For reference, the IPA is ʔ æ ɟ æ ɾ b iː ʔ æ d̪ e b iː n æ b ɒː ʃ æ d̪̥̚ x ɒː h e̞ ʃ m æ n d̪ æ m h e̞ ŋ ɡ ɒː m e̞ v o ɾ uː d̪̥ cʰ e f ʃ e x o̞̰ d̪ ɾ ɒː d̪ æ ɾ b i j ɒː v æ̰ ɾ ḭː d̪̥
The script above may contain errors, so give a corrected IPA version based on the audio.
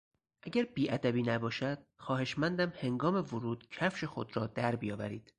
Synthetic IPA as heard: ʔ æ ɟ æ ɾ b iː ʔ æ d̪ æ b iː n æ b ɒː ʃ æ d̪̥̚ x ɒː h e̞ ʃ m æ n d̪ æ m h e̞ ŋ ɡ ɒː m e̞ v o ɾ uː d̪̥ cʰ æ f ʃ e x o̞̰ d̪ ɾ ɒː d̪ æ ɾ b i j ɒː v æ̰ ɾ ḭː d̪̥

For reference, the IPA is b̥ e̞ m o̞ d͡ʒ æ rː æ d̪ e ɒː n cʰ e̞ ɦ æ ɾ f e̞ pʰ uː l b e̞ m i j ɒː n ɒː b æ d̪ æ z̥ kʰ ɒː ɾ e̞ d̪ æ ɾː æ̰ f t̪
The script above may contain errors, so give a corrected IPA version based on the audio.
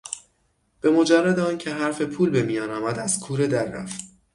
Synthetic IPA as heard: b̥ e̞ m o̞ d͡ʒ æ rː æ d̪ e ɒː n cʰ e̞ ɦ æ ɾ f e̞ pʰ uː l b e̞ m i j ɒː n ɒː m æ d̪ æ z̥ kʰ uː ɾ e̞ d̪ æ ɾː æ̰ f t̪

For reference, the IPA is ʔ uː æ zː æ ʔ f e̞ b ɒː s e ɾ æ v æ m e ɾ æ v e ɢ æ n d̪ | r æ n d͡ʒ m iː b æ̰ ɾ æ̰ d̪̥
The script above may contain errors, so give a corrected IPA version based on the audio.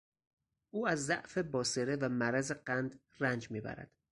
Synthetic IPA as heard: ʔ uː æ zː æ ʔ f e̞ b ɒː s e ɾ e v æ m æ ɾ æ z e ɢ æ n d̪ | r æ n d͡ʒ m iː b æ̰ ɾ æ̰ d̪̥

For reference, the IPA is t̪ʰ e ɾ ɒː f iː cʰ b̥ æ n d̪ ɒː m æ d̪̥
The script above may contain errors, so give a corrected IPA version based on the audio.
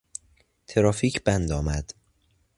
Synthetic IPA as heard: t̪ʰ e ɾ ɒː f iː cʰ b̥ æ n d̪ ɒː m æ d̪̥

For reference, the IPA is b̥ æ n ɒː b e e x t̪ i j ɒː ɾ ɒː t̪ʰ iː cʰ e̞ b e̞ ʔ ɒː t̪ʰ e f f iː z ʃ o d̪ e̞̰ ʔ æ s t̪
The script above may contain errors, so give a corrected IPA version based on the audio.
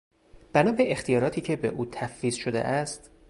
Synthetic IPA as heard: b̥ æ n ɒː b e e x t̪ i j ɒː ɾ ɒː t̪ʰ iː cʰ e̞ b e̞ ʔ uː t̪ʰ æ f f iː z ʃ o d̪ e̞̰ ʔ æ s t̪

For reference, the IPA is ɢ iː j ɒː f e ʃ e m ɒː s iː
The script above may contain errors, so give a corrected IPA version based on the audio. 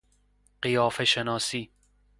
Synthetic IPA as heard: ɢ i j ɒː f e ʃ e n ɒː s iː

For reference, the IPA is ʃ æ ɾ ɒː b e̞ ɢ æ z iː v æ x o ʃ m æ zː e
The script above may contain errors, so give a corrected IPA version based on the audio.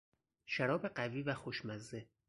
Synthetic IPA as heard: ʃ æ ɾ ɒː b e̞ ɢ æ v iː v æ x o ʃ m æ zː e

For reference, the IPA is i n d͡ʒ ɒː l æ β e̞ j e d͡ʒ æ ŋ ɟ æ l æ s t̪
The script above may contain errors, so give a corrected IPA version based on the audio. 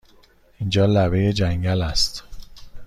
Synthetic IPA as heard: i n d͡ʒ ɒː l æ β e̞ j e d͡ʒ æ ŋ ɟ æ l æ s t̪

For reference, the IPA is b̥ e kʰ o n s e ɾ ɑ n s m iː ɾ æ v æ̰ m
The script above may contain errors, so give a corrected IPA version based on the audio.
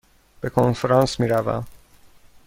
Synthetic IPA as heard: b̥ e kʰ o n f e ɾ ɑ n s m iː ɾ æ v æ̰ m

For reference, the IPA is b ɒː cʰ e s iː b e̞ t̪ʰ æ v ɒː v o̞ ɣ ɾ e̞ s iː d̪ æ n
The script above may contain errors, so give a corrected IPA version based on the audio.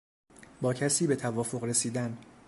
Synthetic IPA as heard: b ɒː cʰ æ s iː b e̞ t̪ʰ æ v ɒː f o̞ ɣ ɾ e̞ s iː d̪ æ n

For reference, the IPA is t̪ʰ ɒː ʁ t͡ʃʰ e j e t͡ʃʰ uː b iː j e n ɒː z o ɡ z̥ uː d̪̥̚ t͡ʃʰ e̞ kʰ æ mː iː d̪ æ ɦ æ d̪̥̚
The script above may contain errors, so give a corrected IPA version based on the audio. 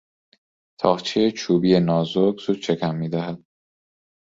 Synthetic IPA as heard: t̪ʰ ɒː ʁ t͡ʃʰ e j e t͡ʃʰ uː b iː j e n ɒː z o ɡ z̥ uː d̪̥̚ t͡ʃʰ e̞ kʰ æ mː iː d̪ æ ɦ æ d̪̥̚

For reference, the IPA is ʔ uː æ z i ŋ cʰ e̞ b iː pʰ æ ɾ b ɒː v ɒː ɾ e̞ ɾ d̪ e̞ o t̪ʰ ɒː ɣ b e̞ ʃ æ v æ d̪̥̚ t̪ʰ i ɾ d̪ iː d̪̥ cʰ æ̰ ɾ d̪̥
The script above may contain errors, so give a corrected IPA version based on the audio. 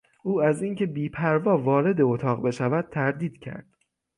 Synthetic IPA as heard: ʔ uː æ z i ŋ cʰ e̞ b iː pʰ æ ɾ v ɒː v ɒː ɾ e̞ d̪ e̞ o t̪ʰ ɒː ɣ b e̞ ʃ æ v æ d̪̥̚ t̪ʰ æ ɾ d̪ iː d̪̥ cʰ æ̰ ɾ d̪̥

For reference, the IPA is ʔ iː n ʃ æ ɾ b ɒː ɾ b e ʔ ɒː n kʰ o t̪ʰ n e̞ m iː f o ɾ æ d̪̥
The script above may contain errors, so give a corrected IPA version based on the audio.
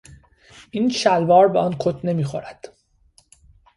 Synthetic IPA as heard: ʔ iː n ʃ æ l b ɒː ɾ b e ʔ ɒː n kʰ o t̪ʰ n e̞ m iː x o ɾ æ d̪̥

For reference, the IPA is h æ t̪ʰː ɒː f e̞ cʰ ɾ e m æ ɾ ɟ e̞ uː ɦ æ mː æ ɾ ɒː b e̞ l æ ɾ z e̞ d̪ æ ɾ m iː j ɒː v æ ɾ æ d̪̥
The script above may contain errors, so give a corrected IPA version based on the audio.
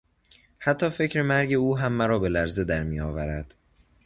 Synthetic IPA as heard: h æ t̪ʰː ɒː f e̞ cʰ ɾ e m æ ɾ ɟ e̞ uː ɦ æ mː æ ɾ ɒː b e̞ l æ ɾ z e̞ d̪ æ ɾ m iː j ɒː v æ ɾ æ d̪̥

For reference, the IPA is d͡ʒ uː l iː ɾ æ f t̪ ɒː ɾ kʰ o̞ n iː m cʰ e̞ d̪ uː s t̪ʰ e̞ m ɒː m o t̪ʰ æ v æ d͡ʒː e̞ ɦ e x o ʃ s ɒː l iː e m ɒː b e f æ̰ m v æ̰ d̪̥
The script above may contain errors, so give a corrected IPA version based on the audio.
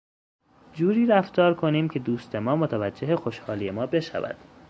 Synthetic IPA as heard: d͡ʒ uː ɾ iː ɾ æ f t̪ ɒː ɾ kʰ o̞ n iː m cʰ e̞ d̪ uː s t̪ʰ e̞ m ɒː m o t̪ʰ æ v æ d͡ʒː e̞ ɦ e x o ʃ h ɒː l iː e m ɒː b e ʃ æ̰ v æ̰ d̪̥

